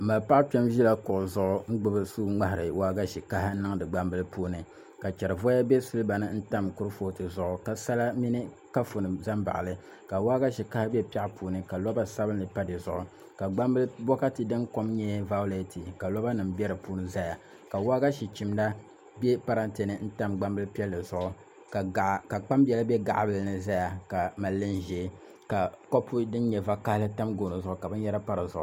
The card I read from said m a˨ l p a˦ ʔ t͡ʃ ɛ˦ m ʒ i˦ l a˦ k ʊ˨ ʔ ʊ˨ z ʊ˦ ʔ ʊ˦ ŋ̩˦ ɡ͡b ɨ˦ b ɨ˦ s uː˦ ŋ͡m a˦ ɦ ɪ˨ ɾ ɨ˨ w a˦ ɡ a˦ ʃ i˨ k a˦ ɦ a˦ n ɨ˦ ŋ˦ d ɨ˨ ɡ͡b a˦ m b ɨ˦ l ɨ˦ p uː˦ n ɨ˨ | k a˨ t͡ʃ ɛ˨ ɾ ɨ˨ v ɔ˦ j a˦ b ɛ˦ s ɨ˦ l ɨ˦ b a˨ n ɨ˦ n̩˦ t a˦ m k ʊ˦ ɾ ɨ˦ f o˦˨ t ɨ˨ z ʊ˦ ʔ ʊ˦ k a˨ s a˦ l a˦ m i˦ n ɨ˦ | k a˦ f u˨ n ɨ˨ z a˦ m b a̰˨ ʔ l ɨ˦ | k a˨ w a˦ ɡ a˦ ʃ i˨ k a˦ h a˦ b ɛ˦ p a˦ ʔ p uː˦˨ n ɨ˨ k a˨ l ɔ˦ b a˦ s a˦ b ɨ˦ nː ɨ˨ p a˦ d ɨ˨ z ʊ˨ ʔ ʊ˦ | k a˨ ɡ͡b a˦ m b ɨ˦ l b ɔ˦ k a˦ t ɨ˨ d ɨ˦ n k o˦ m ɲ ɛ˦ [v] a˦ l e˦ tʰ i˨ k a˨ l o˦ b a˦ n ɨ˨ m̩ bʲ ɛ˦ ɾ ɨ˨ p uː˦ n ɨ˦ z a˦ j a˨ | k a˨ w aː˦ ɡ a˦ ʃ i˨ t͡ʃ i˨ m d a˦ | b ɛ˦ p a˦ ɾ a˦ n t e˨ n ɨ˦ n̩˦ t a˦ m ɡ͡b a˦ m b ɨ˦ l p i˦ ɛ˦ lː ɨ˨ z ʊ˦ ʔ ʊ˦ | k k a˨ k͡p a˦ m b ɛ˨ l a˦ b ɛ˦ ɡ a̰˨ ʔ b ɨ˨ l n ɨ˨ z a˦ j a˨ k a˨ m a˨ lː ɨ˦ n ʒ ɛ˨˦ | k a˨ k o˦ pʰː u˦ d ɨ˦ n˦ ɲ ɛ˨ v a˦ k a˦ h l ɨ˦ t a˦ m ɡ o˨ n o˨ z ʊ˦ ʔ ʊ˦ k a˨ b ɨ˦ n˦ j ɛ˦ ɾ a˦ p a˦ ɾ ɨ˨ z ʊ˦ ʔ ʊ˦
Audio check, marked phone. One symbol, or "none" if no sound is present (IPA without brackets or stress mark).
v